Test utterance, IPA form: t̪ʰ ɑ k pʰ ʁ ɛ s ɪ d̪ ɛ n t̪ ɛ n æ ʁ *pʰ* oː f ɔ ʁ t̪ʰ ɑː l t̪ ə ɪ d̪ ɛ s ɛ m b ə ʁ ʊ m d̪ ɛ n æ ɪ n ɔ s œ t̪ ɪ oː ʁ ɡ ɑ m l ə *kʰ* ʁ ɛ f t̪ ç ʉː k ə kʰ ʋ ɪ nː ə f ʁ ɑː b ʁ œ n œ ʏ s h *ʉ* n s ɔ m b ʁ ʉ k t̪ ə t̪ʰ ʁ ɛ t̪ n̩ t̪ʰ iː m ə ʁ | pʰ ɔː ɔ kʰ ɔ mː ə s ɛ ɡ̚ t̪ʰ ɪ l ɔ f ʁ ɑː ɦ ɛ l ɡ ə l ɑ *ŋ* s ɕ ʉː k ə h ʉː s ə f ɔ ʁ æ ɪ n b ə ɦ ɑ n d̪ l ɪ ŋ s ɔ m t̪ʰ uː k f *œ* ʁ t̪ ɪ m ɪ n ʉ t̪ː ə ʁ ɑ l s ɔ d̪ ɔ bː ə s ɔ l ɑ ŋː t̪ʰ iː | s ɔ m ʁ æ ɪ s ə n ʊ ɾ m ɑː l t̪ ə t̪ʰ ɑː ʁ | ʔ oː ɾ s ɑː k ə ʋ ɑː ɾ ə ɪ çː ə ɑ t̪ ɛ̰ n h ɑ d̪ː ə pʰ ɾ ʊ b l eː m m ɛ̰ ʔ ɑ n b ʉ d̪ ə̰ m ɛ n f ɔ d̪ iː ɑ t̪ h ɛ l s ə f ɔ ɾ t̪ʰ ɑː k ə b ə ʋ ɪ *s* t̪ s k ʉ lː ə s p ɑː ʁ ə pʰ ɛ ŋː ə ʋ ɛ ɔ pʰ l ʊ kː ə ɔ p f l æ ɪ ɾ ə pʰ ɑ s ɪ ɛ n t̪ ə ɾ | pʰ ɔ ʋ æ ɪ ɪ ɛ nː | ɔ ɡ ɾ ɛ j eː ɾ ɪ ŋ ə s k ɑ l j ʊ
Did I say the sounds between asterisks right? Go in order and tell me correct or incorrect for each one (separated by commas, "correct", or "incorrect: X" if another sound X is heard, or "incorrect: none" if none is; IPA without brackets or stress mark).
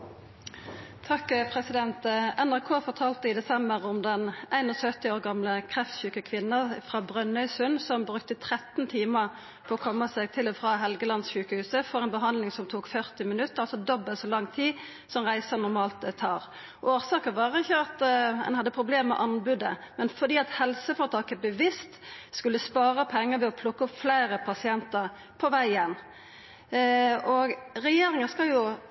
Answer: incorrect: kʰ, correct, correct, incorrect: n, correct, correct